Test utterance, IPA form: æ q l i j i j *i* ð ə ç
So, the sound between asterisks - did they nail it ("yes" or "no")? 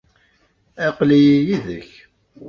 yes